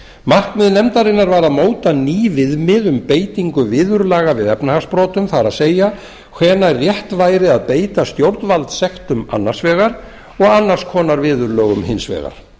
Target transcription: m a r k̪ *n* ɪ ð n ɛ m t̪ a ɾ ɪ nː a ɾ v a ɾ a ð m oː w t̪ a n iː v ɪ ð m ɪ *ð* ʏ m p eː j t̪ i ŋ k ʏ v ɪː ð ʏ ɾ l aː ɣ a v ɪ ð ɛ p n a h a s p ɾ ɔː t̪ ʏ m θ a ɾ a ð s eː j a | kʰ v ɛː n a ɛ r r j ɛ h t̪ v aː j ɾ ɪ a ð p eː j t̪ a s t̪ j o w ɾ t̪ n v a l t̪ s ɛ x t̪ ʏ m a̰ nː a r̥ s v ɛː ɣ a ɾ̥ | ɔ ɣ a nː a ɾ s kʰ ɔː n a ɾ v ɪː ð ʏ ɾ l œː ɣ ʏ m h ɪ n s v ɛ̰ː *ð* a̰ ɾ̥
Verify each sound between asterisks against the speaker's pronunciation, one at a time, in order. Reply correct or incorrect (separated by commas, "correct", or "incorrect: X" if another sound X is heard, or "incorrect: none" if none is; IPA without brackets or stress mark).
incorrect: m, correct, incorrect: ɣ